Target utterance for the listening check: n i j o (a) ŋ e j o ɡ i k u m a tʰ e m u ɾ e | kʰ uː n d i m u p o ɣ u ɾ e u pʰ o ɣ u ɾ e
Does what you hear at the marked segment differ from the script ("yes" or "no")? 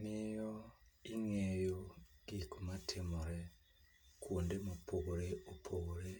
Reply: yes